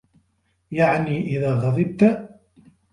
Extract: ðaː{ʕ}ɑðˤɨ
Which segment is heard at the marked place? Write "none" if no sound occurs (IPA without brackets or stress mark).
ɣ